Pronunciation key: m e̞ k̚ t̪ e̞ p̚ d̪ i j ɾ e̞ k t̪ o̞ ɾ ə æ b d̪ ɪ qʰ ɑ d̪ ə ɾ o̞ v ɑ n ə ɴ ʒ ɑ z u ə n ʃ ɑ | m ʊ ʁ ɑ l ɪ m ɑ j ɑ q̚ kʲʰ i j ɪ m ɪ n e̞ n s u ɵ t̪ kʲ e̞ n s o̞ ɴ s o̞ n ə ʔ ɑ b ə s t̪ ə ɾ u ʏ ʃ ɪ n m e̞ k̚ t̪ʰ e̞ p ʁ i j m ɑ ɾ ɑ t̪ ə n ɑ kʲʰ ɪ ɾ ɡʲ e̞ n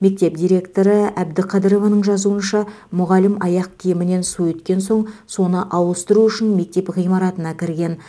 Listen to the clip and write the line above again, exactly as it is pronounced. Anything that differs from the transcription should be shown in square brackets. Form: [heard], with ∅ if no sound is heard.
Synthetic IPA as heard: m e̞ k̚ t̪ e̞ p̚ d̪ i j ɾ e̞ k t̪ o̞ ɾ ə æ b d̪ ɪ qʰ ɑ d̪ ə ɾ o̞ v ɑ n ə ɴ ʒ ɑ z u ə n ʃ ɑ | m ʊ ʁ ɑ l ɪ m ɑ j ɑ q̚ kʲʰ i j ɪ m ɪ n e̞ n s u ɵ t̪ kʲ e̞ n s o̞ ɴ s o̞ n ə ʔ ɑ [w] ə s t̪ ə ɾ u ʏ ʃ ɪ n m e̞ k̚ [t̪] e̞ p ʁ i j m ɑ ɾ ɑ t̪ ə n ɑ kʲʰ ɪ ɾ ɡʲ e̞ n